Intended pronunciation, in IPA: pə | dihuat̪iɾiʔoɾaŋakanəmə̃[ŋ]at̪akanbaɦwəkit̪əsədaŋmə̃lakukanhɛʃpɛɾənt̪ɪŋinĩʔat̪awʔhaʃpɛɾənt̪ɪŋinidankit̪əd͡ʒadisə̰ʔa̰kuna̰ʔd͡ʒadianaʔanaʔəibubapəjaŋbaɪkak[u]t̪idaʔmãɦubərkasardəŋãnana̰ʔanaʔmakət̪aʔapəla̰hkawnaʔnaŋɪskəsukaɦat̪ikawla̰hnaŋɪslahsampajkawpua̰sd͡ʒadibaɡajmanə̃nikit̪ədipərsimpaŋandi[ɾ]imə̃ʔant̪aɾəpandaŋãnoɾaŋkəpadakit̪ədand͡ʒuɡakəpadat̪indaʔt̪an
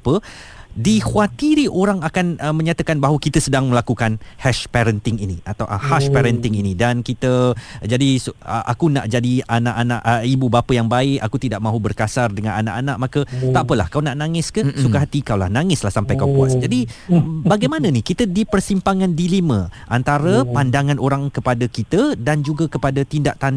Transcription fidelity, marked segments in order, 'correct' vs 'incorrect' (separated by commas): incorrect, correct, incorrect